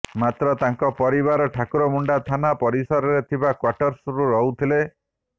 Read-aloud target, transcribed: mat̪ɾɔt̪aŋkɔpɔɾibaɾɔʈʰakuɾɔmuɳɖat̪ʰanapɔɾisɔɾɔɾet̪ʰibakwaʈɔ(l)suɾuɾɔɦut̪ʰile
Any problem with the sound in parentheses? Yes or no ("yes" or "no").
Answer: yes